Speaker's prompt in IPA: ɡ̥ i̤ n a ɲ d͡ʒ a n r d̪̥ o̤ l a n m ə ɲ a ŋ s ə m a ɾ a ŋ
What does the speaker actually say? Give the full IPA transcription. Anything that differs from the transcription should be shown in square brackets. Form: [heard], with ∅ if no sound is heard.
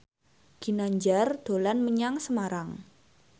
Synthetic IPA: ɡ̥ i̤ n a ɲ d͡ʒ a [∅] r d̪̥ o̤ l a n m ə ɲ a ŋ s ə m a ɾ a ŋ